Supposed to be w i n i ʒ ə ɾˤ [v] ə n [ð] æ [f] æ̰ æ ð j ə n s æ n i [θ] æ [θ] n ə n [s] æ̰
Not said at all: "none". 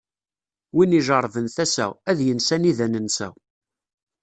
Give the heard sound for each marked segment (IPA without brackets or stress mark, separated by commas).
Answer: v, θ, s, ð, none, s